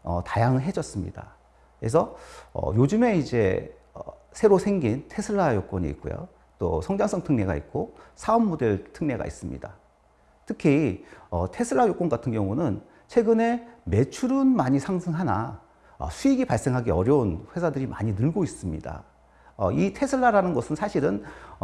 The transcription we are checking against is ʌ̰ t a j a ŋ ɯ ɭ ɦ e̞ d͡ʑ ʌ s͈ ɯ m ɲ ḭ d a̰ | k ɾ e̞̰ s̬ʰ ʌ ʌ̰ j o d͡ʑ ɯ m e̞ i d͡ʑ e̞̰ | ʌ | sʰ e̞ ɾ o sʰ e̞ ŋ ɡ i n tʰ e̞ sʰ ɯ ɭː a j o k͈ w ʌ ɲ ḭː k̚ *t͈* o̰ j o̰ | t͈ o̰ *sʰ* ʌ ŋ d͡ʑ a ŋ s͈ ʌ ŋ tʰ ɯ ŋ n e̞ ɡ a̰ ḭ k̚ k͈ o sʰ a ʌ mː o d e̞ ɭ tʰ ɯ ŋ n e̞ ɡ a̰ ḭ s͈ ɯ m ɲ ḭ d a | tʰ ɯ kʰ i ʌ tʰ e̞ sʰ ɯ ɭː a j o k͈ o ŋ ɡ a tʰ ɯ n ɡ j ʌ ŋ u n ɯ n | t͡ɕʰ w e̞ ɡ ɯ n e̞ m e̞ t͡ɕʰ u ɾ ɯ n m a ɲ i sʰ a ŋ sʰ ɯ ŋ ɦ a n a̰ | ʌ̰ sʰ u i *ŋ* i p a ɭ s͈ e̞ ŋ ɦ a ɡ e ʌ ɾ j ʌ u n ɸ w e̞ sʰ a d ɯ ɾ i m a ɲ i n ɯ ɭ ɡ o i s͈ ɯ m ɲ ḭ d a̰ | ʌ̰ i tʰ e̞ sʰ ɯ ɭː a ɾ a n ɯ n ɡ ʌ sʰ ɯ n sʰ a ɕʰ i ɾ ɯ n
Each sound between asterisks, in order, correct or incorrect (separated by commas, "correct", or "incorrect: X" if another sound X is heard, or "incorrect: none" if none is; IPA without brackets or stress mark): incorrect: k͈, correct, incorrect: ɡ